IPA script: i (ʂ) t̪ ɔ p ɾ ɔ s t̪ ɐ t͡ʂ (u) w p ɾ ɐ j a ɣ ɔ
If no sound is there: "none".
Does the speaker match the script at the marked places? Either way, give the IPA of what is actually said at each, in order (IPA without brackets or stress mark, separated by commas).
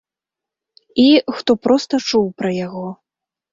x, u